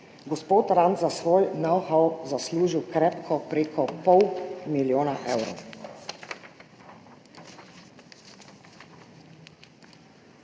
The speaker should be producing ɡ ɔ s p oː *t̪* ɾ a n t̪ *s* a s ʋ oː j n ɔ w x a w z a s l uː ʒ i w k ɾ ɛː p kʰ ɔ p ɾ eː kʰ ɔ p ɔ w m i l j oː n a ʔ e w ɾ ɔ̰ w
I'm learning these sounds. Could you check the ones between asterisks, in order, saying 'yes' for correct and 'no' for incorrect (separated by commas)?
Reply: yes, no